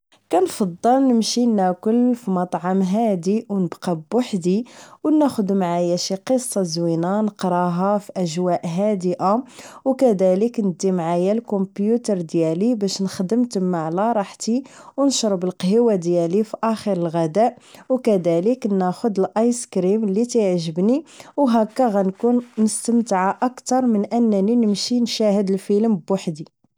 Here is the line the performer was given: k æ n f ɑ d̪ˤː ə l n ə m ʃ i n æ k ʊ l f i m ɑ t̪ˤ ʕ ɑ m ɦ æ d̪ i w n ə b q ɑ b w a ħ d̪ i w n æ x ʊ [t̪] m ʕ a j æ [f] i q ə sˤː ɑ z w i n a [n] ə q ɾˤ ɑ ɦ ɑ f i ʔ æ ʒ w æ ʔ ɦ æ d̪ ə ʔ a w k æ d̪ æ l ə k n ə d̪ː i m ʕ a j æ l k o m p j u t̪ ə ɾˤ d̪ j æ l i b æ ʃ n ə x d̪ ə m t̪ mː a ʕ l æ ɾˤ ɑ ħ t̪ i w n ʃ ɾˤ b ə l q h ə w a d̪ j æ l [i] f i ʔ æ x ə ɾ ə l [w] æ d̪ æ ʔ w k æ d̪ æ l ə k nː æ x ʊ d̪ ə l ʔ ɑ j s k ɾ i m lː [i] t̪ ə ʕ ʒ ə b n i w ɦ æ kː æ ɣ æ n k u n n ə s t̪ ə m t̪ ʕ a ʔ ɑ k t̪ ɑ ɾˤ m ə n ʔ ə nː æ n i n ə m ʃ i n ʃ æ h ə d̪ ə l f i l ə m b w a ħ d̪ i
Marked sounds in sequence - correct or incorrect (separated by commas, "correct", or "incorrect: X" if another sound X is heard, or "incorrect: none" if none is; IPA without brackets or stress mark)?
incorrect: d̪, incorrect: ʃ, correct, correct, incorrect: ɣ, correct